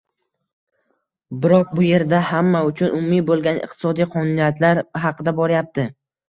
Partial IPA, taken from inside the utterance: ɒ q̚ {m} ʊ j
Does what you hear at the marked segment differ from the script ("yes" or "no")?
yes